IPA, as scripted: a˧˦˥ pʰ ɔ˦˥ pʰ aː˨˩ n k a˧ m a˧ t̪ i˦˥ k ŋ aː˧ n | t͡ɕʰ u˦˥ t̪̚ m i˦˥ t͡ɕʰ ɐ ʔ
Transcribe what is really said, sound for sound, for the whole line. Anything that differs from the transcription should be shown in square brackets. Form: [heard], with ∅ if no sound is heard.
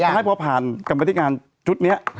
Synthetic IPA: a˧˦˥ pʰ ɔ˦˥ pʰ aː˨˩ n k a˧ m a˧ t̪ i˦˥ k ŋ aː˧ n | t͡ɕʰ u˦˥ t̪̚ [n] i˦˥ [∅] ɐ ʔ